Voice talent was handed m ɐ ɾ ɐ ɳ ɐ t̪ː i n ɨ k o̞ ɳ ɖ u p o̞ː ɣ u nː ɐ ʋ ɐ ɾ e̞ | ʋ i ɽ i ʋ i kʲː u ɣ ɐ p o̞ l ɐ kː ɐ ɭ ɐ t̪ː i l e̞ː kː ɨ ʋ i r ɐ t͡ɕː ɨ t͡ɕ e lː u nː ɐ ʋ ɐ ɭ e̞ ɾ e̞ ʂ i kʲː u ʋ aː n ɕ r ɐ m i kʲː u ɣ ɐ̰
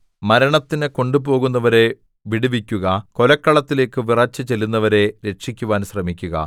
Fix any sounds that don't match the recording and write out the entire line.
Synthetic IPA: m ɐ ɾ ɐ ɳ ɐ t̪ː i n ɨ k o̞ ɳ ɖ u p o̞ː ɣ u nː ɐ ʋ ɐ ɾ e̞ | ʋ i ɽ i ʋ i kʲː u ɣ ɐ k o̞ l ɐ kː ɐ ɭ ɐ t̪ː i l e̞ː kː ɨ ʋ i r ɐ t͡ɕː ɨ t͡ɕ e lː u nː ɐ ʋ ɐ ɾ e̞ ɾ e̞ ʂ i kʲː u ʋ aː n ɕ r ɐ m i kʲː u ɣ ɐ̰

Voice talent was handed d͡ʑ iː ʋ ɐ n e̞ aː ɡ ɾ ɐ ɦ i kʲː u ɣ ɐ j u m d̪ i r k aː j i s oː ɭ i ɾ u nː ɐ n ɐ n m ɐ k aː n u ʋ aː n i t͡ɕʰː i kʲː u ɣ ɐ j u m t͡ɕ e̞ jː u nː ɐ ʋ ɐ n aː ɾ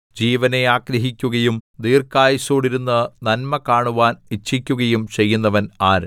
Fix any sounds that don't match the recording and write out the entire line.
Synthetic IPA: d͡ʑ iː ʋ ɐ n e̞ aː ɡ ɾ ɐ ɦ i kʲː u ɣ ɐ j u m d̪ iː r k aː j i s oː ɽ i ɾ u nː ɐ n ɐ n m ɐ k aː ɳ u ʋ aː n i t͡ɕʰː i kʲː u ɣ ɐ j u m t͡ɕ e̞ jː u nː ɐ ʋ ɐ n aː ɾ

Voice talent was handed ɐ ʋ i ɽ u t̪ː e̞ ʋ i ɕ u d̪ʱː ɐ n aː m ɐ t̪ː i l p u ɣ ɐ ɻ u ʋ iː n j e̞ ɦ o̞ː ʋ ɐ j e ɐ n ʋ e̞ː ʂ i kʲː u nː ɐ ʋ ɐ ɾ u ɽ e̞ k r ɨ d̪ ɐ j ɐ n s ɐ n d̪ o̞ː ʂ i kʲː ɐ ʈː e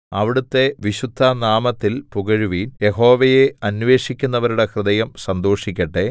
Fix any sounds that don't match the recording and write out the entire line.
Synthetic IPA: ɐ ʋ i ɽ u t̪ː e̞ ʋ i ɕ u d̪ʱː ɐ n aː m ɐ t̪ː i l p u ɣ ɐ ɻ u ʋ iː n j e̞ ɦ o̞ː ʋ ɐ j e ɐ n ʋ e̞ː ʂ i kʲː u nː ɐ ʋ ɐ ɾ u ɽ e̞ k r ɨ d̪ ɐ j ɐ m s ɐ n d̪ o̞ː ʂ i kʲː ɐ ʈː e

